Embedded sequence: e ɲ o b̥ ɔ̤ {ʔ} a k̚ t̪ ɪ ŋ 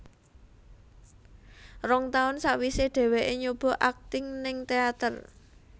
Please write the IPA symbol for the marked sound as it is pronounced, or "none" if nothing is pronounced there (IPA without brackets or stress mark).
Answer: ʔ